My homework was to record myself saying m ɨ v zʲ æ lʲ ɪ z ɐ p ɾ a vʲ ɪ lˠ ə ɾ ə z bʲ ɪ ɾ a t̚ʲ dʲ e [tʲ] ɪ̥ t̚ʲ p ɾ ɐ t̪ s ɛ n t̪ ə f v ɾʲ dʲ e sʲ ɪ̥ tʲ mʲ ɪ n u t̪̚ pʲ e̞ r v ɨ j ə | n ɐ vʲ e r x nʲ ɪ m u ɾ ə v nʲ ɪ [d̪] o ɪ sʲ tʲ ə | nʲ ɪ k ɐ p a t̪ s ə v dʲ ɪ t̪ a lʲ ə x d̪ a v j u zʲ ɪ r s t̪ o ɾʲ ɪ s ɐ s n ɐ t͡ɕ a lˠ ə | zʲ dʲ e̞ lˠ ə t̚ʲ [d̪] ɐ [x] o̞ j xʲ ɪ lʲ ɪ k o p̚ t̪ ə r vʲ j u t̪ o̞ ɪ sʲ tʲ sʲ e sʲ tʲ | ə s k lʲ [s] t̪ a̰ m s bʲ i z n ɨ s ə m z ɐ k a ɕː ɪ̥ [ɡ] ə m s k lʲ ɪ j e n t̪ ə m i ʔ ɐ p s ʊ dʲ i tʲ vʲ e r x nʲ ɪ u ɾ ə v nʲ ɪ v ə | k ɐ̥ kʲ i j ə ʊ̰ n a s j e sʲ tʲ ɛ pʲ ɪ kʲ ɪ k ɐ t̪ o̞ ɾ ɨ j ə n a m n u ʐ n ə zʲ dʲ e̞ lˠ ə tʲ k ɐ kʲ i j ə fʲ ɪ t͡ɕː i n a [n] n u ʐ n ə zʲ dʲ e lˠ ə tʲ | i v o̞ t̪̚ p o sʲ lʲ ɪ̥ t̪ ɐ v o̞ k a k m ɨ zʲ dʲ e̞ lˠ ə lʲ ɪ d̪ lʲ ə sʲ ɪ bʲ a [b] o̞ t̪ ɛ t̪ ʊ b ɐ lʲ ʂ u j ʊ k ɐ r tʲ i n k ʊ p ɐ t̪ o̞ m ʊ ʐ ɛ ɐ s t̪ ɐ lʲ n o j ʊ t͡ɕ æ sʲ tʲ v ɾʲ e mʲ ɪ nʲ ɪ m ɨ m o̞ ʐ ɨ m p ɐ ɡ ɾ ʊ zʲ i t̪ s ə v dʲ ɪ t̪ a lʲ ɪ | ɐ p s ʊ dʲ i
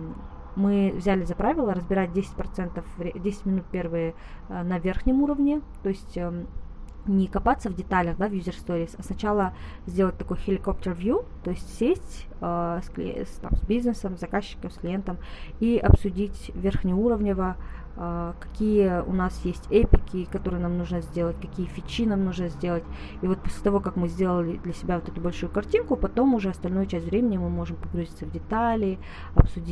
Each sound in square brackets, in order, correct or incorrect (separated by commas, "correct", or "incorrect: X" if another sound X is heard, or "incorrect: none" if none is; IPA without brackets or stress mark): incorrect: sʲ, incorrect: t̪, incorrect: t̪, incorrect: k, correct, incorrect: k, incorrect: m, incorrect: v